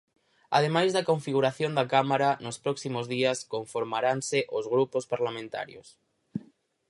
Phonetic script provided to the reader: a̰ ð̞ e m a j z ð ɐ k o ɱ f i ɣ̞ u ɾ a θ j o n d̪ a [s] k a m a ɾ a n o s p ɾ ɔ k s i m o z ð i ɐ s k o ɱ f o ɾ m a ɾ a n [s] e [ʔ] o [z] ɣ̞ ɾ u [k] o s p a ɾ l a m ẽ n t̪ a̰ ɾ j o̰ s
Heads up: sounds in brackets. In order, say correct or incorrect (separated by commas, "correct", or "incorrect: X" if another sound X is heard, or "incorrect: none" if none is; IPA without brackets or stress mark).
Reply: incorrect: none, correct, correct, correct, incorrect: p